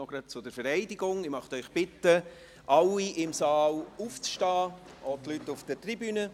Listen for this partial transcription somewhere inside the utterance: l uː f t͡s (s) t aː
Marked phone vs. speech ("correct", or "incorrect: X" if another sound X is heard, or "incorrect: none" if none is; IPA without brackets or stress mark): incorrect: ʃ